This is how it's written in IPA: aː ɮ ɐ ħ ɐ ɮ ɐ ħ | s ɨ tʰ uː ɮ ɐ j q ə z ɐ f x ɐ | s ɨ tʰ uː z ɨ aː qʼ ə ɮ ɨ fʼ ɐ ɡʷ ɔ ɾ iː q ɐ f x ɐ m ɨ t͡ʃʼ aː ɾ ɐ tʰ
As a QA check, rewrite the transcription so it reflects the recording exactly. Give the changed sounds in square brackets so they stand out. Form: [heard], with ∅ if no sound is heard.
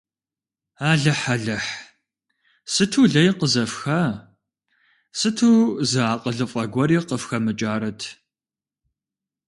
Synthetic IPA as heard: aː ɮ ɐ ħ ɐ ɮ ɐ ħ | s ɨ tʰ uː ɮ ɐ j q ə z ɐ f x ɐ | s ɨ tʰ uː z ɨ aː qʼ ə ɮ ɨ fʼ ɐ ɡʷ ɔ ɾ iː q [ə] f x ɐ m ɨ t͡ʃʼ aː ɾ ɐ tʰ